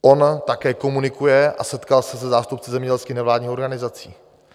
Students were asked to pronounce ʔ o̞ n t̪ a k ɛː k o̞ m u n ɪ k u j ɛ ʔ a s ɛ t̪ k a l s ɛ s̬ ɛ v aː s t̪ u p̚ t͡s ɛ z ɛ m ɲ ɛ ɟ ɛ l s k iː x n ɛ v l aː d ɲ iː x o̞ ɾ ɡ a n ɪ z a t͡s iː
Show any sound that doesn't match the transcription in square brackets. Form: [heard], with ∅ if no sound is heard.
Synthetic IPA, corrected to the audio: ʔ o̞ n t̪ a k ɛː k o̞ m u n ɪ k u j ɛ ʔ a s ɛ t̪ k a l s ɛ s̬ ɛ [z] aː s t̪ u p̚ t͡s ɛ z ɛ m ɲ ɛ ɟ ɛ l s k iː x n ɛ v l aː d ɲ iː x o̞ ɾ ɡ a n ɪ z a t͡s iː